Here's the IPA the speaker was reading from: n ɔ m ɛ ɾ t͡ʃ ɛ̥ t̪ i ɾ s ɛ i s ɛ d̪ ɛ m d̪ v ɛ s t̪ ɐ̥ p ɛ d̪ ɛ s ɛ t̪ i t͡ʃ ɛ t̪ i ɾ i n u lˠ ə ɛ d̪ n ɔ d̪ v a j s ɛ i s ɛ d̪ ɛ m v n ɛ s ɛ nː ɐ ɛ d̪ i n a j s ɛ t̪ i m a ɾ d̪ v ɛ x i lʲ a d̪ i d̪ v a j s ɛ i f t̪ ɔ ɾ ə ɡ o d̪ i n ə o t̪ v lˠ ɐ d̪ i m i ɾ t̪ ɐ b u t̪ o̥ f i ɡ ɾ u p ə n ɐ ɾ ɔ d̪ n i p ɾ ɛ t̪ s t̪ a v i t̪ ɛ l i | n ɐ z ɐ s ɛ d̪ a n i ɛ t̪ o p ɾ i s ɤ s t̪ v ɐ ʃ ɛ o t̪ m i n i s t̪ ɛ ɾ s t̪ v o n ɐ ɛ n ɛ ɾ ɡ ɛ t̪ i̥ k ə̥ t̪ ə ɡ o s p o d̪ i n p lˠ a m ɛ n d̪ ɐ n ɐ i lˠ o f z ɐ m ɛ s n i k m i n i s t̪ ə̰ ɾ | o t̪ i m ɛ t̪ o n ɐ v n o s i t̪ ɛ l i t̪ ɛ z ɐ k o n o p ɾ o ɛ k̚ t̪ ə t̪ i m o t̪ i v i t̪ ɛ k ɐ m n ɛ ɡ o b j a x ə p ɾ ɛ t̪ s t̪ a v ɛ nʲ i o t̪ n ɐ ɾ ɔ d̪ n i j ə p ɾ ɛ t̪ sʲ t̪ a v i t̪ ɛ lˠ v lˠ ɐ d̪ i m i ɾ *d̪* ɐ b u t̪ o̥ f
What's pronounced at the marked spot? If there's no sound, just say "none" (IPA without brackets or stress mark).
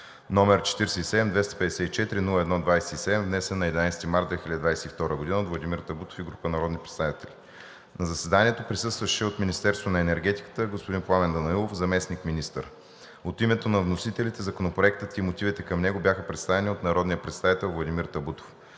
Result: t̪